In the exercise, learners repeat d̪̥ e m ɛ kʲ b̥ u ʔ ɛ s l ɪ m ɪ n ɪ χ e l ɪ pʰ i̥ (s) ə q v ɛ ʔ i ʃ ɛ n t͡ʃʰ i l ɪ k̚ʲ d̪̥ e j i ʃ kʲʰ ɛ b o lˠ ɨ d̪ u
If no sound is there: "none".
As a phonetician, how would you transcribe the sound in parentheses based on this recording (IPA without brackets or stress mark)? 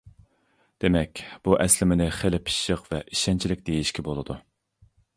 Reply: ʃ